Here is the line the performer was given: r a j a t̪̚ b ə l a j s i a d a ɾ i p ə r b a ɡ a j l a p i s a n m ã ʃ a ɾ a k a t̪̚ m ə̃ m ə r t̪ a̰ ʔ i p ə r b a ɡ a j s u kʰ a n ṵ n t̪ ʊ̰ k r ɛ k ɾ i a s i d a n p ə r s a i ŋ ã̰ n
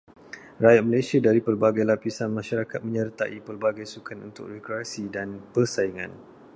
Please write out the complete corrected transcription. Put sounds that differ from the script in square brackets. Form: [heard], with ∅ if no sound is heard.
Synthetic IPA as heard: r a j a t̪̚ [m] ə l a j s i a d a ɾ i p ə r b a ɡ a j l a p i s a n m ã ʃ a ɾ a k a t̪̚ m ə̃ [ɲ] ə r t̪ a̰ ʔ i p ə r b a ɡ a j s u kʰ a n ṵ n t̪ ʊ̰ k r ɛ k ɾ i a s i d a n p ə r s a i ŋ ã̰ n